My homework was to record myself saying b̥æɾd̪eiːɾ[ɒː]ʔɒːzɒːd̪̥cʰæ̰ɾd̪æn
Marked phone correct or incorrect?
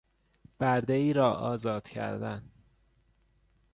correct